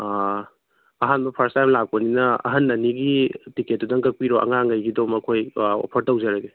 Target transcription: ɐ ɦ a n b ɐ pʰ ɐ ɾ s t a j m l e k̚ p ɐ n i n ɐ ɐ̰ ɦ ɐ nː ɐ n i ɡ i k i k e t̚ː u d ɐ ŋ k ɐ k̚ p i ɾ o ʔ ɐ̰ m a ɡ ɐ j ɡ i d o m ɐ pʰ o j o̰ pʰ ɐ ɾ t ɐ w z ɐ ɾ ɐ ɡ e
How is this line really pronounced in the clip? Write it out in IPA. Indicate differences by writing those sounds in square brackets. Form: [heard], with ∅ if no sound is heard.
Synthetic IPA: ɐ ɦ a n b ɐ pʰ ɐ ɾ s t a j m l [a] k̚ p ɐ n i n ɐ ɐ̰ ɦ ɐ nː ɐ n i ɡ i [t] i k e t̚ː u d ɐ ŋ k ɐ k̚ p i ɾ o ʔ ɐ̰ [ŋ] a [ŋ] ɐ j ɡ i d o m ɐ [kʰ] o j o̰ pʰ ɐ ɾ t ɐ w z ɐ ɾ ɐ ɡ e